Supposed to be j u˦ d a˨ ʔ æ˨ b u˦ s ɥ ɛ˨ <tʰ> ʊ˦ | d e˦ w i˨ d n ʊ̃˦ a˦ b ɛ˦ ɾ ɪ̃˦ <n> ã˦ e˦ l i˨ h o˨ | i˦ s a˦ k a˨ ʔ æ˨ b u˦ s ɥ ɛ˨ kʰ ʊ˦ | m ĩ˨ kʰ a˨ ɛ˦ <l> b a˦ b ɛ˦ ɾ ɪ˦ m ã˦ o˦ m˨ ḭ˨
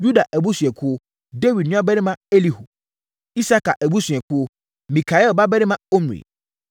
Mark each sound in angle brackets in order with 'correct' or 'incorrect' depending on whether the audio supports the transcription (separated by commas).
incorrect, incorrect, correct